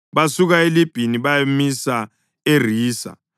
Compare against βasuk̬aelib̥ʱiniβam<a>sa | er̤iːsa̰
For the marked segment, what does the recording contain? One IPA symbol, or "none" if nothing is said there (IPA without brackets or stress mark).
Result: i